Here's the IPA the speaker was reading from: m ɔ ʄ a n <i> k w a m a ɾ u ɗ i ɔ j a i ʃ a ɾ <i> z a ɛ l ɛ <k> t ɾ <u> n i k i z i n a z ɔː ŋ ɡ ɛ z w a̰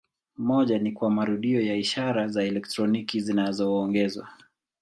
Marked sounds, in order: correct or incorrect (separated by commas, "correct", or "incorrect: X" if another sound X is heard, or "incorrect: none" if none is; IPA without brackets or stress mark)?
correct, incorrect: a, correct, incorrect: ɔ